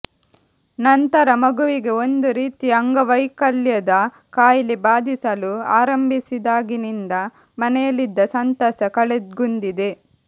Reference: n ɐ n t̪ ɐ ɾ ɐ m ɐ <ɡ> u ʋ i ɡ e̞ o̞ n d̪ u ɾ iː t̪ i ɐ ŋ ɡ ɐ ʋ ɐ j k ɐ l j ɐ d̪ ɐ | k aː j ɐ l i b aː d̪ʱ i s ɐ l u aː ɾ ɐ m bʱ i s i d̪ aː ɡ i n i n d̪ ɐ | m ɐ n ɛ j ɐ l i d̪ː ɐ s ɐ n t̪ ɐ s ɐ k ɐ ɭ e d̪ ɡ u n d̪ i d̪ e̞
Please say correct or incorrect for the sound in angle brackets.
correct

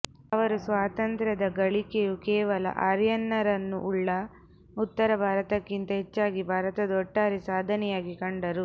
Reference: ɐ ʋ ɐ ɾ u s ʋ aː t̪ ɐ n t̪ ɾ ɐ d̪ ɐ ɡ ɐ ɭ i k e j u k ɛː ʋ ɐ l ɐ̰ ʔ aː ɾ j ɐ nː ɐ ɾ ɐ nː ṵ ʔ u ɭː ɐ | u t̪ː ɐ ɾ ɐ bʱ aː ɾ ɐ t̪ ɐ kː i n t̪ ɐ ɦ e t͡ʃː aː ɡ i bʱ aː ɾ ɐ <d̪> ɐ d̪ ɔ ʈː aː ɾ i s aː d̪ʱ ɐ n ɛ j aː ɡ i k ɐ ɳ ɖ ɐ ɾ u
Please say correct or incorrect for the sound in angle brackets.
incorrect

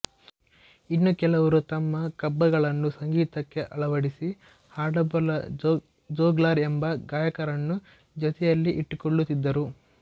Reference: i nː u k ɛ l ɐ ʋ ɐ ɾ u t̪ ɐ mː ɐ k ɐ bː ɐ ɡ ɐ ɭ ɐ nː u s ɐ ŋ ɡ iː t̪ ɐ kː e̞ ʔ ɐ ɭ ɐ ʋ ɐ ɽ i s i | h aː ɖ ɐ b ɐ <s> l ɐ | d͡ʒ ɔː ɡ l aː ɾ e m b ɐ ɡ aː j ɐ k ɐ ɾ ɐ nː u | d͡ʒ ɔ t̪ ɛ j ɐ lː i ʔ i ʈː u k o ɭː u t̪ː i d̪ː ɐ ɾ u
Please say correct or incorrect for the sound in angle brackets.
incorrect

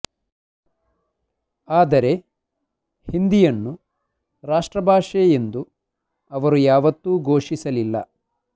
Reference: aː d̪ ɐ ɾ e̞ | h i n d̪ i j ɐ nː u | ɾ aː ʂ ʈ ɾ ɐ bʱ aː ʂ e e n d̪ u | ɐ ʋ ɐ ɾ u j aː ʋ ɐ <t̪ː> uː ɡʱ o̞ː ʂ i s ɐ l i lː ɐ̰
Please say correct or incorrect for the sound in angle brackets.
correct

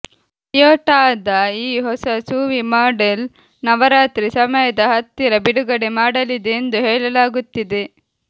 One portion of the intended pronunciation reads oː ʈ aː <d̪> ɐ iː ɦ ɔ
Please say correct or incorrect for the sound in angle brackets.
correct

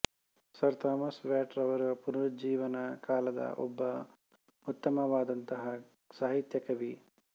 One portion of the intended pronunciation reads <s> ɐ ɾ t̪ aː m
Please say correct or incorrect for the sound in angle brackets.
correct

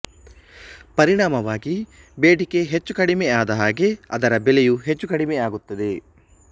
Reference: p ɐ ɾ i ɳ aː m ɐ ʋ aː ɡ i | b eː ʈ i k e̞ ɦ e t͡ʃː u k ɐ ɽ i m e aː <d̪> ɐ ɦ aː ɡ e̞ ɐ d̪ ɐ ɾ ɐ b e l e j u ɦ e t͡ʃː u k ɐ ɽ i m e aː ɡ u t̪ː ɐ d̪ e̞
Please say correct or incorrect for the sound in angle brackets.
correct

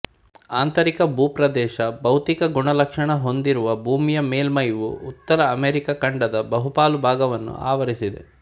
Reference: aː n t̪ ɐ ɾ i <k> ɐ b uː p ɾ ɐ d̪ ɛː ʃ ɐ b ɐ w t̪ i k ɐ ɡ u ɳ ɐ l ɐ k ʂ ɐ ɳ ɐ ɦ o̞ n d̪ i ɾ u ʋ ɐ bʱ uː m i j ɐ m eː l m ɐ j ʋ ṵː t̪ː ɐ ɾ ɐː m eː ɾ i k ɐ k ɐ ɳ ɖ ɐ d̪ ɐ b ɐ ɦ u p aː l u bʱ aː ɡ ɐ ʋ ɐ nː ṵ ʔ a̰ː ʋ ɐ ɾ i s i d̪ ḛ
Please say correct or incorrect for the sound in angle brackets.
correct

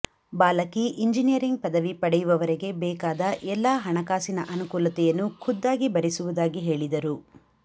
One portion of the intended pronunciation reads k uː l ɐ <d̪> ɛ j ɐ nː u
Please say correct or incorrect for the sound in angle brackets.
incorrect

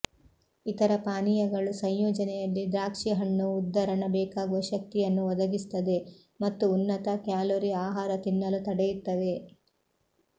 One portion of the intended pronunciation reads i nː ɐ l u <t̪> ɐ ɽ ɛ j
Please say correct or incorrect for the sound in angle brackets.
correct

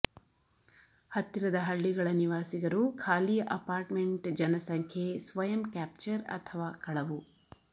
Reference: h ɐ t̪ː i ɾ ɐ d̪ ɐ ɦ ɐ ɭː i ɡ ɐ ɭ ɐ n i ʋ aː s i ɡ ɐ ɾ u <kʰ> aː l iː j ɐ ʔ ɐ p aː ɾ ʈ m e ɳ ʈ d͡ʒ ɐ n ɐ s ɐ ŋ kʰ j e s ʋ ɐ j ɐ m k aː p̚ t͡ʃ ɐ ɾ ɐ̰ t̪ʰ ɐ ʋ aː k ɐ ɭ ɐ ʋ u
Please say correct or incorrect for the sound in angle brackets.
correct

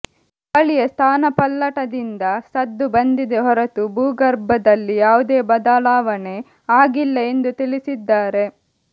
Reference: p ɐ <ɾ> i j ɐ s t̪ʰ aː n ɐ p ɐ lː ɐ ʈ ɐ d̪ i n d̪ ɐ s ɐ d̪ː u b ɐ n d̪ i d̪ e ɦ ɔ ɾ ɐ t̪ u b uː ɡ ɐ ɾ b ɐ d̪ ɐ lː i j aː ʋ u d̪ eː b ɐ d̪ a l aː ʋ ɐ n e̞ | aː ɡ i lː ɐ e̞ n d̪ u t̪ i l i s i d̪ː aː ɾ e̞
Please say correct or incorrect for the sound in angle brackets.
incorrect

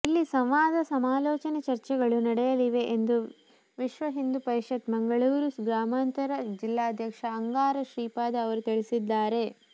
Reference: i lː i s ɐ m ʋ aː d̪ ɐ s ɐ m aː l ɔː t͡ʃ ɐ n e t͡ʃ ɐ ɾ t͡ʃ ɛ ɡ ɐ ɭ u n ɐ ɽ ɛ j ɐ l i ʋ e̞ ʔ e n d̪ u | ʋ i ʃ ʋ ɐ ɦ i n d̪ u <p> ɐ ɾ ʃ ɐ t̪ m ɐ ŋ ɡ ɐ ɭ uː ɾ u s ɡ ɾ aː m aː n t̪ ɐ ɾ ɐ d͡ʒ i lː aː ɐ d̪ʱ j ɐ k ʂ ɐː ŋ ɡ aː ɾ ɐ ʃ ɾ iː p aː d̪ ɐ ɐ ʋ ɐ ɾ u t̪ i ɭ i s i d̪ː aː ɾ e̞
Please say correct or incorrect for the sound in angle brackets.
correct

